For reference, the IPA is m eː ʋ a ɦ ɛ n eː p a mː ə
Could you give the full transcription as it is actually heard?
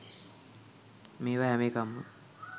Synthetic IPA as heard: m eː ʋ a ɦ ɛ m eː k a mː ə